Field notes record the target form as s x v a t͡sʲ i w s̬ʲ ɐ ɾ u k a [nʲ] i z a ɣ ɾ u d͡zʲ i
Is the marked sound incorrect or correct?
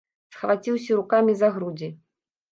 incorrect